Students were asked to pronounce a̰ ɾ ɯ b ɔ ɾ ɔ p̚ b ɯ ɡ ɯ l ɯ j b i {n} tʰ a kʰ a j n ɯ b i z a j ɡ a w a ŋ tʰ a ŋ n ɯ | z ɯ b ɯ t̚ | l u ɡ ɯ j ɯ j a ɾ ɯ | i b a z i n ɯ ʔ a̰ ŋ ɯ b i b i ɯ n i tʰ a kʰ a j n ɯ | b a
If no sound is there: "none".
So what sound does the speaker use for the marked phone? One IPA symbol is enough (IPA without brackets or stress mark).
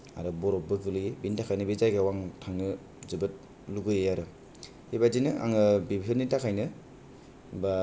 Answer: n